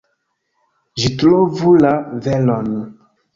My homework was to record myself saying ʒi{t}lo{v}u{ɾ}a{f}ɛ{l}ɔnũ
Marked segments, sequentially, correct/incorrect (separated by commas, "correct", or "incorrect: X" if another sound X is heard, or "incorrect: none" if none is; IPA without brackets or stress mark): correct, correct, incorrect: l, incorrect: v, correct